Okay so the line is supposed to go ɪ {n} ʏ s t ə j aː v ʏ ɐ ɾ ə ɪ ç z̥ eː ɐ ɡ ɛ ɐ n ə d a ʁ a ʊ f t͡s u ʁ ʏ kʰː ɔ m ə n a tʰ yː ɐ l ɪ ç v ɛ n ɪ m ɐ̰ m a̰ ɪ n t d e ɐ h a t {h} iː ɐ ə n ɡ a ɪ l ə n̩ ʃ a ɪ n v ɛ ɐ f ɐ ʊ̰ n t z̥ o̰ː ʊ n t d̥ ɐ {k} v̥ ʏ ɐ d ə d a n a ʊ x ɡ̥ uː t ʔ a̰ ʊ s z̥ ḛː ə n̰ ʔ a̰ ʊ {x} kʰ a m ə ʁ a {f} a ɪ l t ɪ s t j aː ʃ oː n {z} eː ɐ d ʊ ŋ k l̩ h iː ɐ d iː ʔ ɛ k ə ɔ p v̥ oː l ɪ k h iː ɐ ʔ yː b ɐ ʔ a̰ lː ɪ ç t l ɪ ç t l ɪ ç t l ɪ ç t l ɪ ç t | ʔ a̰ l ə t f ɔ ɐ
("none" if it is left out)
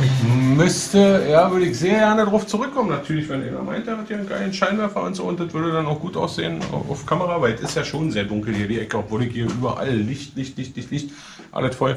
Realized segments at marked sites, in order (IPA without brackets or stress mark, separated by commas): m, h, t, f, v, z